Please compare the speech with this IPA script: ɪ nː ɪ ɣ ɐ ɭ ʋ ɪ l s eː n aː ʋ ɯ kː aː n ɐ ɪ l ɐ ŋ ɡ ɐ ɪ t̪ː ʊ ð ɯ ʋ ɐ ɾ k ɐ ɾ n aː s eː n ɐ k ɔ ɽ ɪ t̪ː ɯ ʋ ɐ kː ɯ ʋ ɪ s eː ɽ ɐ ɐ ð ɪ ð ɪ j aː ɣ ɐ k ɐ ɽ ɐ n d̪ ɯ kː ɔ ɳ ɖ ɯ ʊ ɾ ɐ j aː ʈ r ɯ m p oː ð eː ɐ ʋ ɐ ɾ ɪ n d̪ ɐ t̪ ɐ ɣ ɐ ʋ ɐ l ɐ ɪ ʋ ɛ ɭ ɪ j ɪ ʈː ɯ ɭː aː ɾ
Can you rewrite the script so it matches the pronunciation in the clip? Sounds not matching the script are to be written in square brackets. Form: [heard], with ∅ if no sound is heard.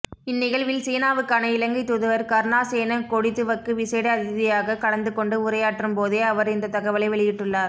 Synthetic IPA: ɪ nː ɪ ɣ ɐ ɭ ʋ ɪ l s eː n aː ʋ ɯ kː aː n ɐ ɪ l ɐ ŋ ɡ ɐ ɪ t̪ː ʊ ð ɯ ʋ ɐ ɾ k ɐ ɾ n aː s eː n ɐ k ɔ ɽ ɪ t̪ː ɯ ʋ ɐ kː ɯ ʋ ɪ s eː ɽ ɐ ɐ ð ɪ ð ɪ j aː ɣ ɐ k ɐ ɽ ɐ n d̪ ɯ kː ɔ ɳ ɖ ɯ ʊ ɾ ɐ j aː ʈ r ɯ m p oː ð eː ɐ ʋ ɐ ɾ ɪ n d̪ ɐ t̪ ɐ ɣ ɐ ʋ ɐ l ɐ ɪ ʋ ɛ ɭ ɪ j ɪ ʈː ɯ ɭː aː ɾ